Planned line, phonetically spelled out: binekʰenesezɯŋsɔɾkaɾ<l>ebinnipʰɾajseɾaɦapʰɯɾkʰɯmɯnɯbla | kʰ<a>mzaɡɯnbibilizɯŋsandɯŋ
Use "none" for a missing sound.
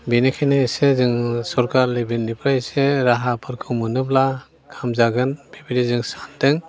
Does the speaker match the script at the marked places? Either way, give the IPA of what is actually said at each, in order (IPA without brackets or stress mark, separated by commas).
l, a